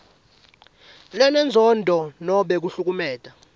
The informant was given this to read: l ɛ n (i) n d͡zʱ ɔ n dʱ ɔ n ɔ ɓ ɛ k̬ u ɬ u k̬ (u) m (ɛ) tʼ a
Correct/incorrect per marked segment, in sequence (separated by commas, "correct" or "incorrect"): incorrect, correct, incorrect